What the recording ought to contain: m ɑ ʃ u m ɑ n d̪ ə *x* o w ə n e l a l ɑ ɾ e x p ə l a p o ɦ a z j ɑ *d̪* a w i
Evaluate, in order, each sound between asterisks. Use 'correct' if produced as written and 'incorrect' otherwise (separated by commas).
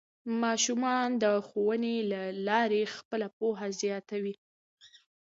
correct, incorrect